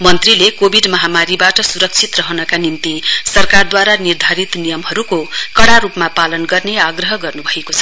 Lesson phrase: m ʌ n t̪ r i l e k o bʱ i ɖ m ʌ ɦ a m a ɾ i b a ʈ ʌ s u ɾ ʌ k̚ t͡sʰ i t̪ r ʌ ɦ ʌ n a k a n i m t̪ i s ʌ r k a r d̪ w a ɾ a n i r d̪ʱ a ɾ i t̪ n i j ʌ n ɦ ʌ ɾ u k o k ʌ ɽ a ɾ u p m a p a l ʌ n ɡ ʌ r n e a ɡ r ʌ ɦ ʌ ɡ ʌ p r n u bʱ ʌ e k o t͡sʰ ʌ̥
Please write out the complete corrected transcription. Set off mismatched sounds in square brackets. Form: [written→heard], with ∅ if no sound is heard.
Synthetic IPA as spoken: m ʌ n t̪ r i l e k o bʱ i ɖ m ʌ ɦ a m a ɾ i b a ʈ ʌ s u ɾ ʌ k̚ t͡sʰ i t̪ r ʌ ɦ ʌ n [a→ʌ] k a n i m t̪ i s ʌ r k a r d̪ w a ɾ a n i r d̪ʱ a ɾ i t̪ n i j ʌ [n→m] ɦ ʌ ɾ u k o k ʌ ɽ a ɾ u p m a p a l ʌ n ɡ ʌ r n e a ɡ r ʌ ɦ ʌ ɡ ʌ [p→∅] r n u bʱ ʌ e k o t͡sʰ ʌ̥